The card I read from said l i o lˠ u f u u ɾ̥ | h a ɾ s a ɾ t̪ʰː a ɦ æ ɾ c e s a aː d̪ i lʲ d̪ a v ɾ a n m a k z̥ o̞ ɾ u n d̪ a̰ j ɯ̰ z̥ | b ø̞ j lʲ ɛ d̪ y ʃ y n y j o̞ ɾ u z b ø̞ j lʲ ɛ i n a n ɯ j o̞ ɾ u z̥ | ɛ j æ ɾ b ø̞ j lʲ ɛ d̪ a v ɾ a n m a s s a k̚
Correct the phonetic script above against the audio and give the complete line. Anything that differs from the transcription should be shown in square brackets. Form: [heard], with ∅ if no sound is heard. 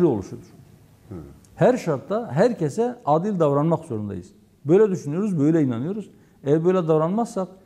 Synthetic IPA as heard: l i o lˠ u [ʃ] u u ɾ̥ | h [æ] ɾ [ʃ] a ɾ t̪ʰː a ɦ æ ɾ c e s [ɛ] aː d̪ i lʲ d̪ a v ɾ a n m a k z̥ o̞ ɾ u n d̪ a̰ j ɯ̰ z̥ | b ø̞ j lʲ ɛ d̪ y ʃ y n y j o̞ ɾ u z b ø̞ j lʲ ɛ i n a n ɯ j o̞ ɾ u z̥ | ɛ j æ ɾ b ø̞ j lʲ ɛ d̪ a v ɾ a n m a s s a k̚